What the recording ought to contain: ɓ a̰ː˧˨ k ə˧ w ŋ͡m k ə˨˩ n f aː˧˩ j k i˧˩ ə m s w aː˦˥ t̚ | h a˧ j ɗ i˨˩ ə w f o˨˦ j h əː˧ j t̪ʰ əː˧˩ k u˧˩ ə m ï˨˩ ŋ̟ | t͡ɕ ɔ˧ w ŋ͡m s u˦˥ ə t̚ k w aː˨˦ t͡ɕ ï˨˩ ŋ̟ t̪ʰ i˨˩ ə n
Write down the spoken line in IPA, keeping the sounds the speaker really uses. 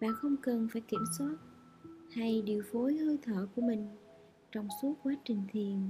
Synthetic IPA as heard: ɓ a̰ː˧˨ x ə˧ w ŋ͡m k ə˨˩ n f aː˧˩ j k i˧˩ ə m s w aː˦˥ t̚ | h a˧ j ɗ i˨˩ ə w f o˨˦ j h əː˧ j t̪ʰ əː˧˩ k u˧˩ ə m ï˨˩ ŋ̟ | t͡ɕ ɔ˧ w ŋ͡m s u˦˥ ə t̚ k w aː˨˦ t͡ɕ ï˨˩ ŋ̟ t̪ʰ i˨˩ ə n